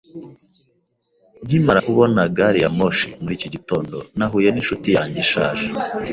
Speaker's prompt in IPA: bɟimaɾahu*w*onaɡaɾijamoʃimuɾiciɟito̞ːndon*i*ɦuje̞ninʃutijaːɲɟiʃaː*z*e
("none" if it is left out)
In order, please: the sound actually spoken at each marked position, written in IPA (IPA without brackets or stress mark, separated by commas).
β, a, ʒ